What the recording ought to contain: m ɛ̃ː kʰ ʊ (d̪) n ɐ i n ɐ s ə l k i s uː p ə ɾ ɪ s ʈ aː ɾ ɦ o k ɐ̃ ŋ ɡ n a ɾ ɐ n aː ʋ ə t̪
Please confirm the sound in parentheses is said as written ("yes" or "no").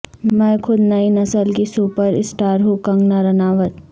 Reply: yes